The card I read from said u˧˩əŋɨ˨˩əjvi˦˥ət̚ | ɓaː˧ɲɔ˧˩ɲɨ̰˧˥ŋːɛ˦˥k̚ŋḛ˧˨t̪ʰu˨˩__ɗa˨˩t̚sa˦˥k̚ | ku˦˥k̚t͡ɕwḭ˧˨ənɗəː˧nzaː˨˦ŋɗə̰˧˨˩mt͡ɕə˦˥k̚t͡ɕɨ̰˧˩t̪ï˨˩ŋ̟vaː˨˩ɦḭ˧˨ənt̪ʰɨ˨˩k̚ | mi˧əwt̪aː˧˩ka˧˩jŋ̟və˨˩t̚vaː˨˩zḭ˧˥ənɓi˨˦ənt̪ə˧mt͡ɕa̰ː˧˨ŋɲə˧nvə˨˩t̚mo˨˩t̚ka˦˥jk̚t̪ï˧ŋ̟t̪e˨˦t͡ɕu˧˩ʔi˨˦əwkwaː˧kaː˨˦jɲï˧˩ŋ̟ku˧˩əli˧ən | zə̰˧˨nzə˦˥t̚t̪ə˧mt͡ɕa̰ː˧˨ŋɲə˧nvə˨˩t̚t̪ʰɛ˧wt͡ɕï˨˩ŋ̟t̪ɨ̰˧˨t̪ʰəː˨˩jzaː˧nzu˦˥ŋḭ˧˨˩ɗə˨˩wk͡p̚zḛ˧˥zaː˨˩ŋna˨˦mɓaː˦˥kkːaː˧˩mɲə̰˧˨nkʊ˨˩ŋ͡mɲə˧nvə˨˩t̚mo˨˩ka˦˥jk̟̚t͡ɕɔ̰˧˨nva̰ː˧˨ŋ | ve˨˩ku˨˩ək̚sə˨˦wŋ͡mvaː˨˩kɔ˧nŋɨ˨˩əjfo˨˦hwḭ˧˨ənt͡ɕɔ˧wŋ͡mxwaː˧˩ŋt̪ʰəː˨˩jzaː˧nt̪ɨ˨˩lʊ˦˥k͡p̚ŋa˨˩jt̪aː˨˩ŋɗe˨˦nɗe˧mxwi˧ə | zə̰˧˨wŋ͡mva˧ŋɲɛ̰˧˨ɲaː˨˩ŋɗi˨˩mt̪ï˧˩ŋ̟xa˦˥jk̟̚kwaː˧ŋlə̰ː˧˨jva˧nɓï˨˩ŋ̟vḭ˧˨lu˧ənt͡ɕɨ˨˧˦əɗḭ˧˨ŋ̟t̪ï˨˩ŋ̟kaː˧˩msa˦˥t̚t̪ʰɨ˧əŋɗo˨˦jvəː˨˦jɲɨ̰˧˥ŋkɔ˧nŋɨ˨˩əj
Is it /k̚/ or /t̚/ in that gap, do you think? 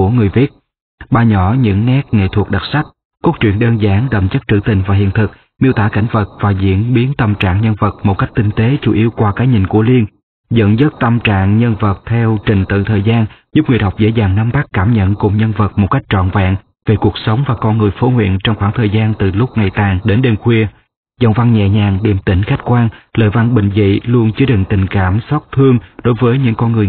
k̚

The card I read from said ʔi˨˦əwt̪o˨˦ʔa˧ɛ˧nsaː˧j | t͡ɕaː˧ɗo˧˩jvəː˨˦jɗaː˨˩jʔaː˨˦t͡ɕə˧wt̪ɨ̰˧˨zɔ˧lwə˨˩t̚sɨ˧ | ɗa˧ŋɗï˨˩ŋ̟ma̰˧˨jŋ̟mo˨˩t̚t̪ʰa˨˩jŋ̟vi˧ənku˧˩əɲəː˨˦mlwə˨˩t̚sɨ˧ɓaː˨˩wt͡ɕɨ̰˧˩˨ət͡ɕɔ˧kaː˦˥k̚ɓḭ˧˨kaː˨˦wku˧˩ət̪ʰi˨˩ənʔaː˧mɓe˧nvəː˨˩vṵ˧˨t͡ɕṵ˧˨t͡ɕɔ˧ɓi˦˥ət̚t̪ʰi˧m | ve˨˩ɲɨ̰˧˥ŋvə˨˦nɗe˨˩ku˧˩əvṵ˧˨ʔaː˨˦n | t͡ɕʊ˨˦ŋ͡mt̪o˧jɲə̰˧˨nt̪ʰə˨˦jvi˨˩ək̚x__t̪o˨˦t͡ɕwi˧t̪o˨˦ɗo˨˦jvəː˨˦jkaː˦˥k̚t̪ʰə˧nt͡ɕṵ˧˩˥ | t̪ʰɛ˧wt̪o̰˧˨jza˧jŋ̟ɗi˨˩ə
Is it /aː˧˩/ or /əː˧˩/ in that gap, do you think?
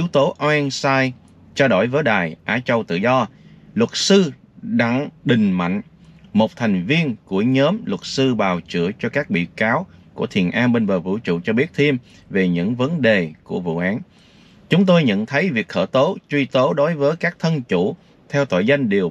əː˧˩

